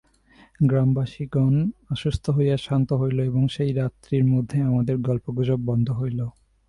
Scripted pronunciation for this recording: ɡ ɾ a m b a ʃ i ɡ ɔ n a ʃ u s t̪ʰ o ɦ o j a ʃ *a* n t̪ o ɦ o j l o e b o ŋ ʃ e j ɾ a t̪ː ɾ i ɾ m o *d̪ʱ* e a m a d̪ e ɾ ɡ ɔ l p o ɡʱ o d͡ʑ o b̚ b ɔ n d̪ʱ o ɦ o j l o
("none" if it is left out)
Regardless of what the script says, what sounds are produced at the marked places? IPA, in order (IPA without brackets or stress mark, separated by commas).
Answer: a, d̪ʱː